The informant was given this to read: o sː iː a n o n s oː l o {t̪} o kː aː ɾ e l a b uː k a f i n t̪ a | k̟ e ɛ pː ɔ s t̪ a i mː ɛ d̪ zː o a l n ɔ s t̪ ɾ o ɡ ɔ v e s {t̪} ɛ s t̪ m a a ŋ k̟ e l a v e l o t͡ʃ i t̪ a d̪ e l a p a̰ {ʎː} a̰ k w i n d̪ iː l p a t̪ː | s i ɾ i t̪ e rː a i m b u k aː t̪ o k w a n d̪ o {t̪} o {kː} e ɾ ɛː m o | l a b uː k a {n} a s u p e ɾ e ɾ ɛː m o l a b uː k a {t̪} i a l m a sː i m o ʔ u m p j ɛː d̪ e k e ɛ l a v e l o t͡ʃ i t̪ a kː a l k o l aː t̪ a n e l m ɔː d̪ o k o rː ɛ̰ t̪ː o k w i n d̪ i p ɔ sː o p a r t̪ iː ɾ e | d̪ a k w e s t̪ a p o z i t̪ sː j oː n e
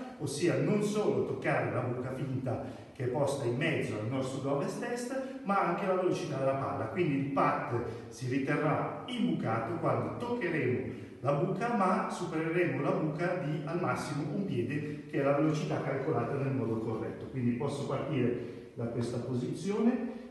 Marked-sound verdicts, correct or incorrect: correct, correct, incorrect, correct, correct, incorrect, incorrect

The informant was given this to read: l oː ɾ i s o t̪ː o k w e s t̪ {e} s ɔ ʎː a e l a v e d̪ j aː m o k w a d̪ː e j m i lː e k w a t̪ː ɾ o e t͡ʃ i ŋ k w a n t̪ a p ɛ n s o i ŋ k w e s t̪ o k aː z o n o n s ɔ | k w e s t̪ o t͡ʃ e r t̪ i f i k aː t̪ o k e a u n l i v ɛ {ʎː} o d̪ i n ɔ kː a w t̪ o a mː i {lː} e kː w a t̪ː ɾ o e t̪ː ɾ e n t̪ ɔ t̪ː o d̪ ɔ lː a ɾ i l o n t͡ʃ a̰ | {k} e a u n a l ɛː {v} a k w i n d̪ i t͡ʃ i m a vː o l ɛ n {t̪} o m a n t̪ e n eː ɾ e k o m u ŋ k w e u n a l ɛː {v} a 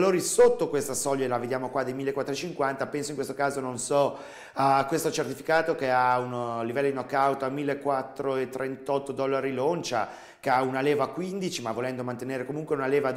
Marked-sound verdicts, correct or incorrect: incorrect, incorrect, correct, correct, correct, incorrect, correct

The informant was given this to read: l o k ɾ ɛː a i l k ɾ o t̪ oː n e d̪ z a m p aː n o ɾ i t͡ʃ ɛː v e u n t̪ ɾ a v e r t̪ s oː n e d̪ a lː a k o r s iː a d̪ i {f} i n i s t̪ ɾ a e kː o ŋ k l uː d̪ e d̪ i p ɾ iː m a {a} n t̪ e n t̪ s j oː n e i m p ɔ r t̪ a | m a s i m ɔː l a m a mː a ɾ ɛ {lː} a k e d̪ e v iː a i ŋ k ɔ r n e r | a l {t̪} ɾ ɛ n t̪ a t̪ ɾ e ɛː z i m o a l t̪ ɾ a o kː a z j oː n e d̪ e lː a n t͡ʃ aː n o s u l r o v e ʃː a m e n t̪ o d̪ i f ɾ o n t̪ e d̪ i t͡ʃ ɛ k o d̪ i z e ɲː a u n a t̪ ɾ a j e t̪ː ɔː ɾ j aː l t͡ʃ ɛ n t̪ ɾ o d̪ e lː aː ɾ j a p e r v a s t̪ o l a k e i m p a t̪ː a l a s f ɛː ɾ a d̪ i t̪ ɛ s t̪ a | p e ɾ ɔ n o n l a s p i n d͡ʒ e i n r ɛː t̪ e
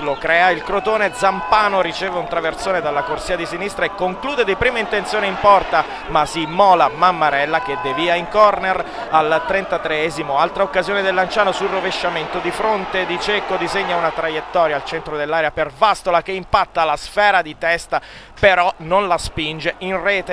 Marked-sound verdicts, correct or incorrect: incorrect, incorrect, correct, correct

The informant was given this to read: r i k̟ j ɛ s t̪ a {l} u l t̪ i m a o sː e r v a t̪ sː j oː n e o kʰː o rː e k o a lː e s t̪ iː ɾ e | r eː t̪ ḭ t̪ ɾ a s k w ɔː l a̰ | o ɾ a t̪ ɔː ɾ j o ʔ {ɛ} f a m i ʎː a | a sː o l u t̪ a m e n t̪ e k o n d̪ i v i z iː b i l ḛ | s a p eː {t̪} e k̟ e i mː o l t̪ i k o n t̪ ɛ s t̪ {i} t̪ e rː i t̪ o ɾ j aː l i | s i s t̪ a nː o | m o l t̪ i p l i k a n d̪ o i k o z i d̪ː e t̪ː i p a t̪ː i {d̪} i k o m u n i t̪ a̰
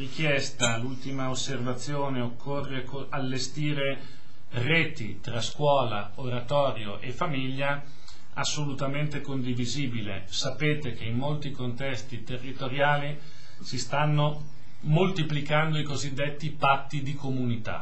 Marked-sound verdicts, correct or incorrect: correct, incorrect, correct, correct, correct

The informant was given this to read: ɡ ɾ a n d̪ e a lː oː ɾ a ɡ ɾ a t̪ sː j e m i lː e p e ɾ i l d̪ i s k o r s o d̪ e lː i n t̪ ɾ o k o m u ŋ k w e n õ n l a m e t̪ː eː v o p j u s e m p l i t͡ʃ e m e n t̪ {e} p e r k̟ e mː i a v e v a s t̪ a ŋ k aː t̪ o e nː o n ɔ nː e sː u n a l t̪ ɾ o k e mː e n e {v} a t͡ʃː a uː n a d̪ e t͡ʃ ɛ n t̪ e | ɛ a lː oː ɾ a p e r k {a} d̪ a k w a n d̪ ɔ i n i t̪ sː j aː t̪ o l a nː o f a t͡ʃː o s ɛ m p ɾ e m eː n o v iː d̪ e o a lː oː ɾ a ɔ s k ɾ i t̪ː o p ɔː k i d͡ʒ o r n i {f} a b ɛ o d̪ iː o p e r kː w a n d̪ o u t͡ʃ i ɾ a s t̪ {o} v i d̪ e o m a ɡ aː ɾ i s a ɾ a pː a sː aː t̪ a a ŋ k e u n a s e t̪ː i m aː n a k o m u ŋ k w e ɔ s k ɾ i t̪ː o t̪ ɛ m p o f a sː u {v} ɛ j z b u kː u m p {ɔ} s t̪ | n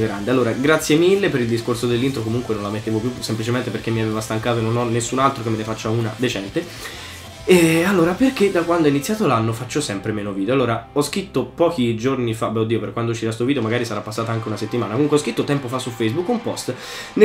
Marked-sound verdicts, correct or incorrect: correct, incorrect, incorrect, correct, correct, incorrect, correct

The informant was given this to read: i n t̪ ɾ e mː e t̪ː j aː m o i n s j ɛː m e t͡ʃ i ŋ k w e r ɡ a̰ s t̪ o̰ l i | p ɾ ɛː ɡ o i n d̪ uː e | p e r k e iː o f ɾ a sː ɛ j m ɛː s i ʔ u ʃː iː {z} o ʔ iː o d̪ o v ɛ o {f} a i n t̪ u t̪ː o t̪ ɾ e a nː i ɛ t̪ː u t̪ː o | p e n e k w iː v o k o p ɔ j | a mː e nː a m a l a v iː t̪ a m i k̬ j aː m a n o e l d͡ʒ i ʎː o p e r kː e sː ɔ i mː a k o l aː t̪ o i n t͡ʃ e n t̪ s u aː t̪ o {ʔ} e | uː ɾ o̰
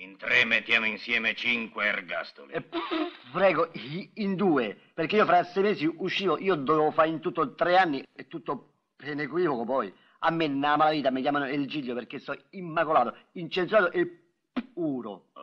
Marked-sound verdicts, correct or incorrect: incorrect, correct, correct

